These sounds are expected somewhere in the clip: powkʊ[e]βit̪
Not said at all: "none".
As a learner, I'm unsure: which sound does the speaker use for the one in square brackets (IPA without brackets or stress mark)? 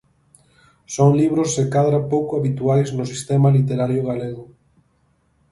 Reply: a